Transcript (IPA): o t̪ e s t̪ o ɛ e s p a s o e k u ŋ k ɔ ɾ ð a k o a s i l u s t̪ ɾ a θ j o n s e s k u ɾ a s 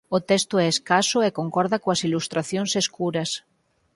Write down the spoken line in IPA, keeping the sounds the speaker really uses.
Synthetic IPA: o t̪ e s t̪ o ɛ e s k a s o e k o ŋ k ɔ ɾ ð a k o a s i l u s t̪ ɾ a θ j o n s e s k u ɾ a s